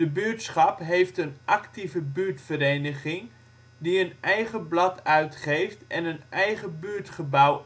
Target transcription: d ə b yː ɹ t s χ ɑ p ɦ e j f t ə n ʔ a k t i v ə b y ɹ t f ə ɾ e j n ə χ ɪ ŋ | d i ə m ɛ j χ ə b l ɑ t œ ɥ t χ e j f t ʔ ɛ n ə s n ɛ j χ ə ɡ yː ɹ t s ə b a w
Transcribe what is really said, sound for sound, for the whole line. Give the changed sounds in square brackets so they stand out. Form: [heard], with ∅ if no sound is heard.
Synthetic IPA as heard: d ə b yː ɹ t s χ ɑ p ɦ e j f t ə n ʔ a k t i v ə b y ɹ t f ə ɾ e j n ə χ ɪ ŋ | d i ə [n] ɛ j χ ə b l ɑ t œ ɥ t χ e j f t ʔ ɛ n ə [∅] n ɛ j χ ə [b] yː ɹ t [χ] ə b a w